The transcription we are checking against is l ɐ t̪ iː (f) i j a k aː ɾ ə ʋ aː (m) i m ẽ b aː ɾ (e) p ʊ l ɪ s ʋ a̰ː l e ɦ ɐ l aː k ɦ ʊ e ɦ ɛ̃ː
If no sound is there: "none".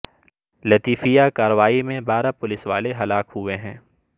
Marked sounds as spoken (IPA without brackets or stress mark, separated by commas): f, none, a